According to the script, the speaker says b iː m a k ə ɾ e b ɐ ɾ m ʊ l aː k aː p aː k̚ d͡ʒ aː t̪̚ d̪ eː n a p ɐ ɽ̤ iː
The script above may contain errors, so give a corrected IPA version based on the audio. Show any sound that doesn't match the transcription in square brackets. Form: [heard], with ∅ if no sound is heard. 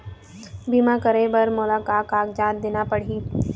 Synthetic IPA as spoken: b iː m a k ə ɾ e b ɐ ɾ m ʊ l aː k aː [k] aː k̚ d͡ʒ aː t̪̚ d̪ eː n a p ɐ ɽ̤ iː